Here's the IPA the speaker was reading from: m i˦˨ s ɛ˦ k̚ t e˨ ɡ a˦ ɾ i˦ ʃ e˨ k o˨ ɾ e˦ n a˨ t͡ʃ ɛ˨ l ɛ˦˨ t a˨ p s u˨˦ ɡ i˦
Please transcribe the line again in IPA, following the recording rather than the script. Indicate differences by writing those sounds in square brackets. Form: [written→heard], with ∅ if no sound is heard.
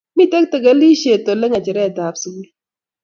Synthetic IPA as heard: m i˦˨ [s→t] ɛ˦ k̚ t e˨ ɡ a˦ [ɾ→l] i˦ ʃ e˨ [k→t] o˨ [ɾ→l] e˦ [n→ŋ] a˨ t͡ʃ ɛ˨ [l→ɾ] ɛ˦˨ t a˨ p s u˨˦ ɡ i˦